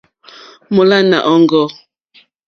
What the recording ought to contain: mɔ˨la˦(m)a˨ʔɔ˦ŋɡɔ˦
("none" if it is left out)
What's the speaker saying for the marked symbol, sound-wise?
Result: n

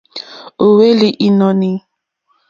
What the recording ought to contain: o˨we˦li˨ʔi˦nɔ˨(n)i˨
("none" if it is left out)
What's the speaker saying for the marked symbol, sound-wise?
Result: n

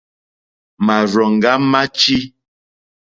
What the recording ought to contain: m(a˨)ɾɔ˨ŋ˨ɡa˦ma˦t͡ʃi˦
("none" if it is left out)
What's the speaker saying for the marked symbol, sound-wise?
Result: a˨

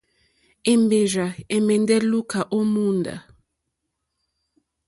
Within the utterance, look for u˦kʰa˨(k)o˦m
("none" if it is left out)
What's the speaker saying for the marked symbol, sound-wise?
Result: ʔ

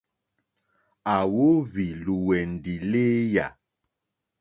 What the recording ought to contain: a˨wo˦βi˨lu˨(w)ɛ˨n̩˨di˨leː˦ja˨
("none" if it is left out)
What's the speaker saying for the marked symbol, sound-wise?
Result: w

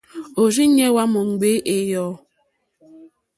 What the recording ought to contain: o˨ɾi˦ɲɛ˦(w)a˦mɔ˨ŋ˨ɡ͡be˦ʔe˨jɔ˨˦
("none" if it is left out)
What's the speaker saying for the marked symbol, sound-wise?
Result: w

